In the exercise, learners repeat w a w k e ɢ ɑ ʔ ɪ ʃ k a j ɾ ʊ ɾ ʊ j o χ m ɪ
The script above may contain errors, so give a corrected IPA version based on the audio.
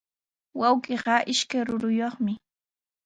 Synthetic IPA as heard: w a w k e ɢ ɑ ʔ ɪ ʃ k a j ɾ ʊ ɾ ʊ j o χ m ɪ